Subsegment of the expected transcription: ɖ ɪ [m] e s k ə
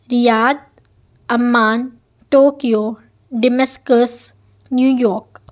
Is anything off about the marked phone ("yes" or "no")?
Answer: no